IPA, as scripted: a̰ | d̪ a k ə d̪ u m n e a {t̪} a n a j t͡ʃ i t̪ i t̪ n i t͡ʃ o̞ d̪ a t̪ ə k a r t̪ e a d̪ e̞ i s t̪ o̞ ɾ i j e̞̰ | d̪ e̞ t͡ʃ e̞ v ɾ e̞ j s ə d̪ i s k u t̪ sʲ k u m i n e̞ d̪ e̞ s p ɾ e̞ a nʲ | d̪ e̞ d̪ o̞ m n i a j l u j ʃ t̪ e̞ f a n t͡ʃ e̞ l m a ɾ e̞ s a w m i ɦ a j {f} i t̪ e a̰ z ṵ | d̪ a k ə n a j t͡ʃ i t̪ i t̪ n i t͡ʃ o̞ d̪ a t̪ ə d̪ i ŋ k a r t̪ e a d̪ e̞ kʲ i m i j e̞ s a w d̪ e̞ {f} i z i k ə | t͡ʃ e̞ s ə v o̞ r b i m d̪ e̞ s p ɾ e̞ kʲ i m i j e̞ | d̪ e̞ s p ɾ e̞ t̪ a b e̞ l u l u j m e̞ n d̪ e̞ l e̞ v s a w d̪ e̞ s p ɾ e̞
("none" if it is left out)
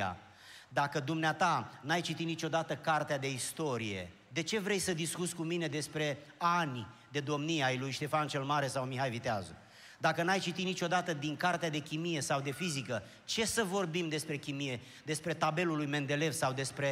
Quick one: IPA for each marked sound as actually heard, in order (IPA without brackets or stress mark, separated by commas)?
t̪, v, f